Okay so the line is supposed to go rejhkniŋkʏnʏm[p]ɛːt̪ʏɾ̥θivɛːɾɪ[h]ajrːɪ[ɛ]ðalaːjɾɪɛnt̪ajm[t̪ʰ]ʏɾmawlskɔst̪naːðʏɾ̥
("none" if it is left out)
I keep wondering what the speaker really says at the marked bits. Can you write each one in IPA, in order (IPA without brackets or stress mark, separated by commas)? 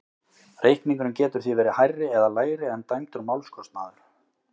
c, h, ɛ, t̪